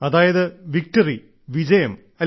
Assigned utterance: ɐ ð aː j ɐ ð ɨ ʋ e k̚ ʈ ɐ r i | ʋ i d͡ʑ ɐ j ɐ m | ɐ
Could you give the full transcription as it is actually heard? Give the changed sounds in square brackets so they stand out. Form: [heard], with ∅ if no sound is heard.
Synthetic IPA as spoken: ɐ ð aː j ɐ ð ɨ ʋ [i] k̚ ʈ ɐ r i | ʋ i d͡ʑ ɐ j ɐ m | ɐ